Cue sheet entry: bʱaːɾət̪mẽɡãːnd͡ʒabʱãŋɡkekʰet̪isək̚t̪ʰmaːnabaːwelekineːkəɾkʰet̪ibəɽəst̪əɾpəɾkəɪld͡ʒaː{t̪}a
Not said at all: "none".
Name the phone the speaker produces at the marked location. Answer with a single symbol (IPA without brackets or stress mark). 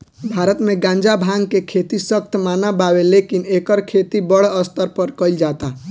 t̪